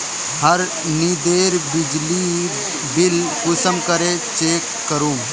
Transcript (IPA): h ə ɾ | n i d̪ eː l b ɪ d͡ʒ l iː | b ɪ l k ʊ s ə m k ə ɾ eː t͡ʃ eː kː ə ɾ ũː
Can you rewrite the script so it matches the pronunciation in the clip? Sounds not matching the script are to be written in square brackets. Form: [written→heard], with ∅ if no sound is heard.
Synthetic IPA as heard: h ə ɾ | n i d̪ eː [l→ɾ] b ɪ d͡ʒ l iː | b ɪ l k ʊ s ə m k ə ɾ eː t͡ʃ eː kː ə ɾ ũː